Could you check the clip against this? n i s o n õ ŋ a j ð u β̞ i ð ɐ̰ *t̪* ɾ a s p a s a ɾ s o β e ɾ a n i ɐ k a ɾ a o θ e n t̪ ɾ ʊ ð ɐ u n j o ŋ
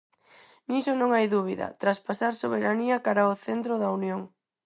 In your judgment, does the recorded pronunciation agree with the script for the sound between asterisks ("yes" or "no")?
yes